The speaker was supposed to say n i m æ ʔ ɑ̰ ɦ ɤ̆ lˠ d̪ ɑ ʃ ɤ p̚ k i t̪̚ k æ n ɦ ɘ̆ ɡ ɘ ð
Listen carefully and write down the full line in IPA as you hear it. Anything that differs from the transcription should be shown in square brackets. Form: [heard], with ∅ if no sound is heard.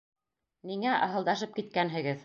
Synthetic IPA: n i [ŋ] æ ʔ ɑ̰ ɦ ɤ̆ lˠ d̪ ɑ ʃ ɤ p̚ k i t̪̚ k æ n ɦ ɘ̆ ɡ ɘ ð